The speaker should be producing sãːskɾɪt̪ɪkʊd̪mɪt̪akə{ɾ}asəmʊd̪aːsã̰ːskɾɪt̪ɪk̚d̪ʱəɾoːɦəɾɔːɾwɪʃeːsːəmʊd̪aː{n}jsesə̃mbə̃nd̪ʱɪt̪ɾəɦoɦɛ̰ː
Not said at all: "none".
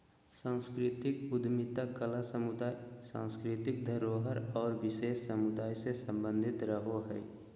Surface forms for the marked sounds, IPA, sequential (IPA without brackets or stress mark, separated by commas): l, none